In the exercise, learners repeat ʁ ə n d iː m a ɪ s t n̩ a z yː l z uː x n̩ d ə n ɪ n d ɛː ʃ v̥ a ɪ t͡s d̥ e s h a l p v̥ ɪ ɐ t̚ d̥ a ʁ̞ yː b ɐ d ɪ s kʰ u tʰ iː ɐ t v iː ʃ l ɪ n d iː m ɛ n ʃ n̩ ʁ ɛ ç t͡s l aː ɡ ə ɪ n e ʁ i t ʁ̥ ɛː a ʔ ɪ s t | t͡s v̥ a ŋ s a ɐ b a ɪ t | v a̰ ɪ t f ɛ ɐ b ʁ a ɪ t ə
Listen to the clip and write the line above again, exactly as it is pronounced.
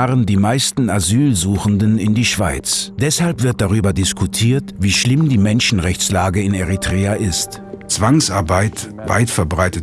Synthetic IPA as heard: ʁ ə n d iː m a ɪ s t n̩ a z yː l z uː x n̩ d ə n ɪ n d iː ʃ v̥ a ɪ t͡s d̥ ɛ s h a l p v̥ ɪ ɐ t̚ d̥ a ʁ̞ yː b ɐ d ɪ s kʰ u tʰ iː ɐ t v iː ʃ l ɪ m d iː m ɛ n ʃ n̩ ʁ ɛ ç t͡s l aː ɡ ə ɪ n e ʁ i t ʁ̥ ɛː a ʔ ɪ s t | t͡s v̥ a ŋ s a ɐ b a ɪ t | v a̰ ɪ t f ɛ ɐ b ʁ a ɪ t ə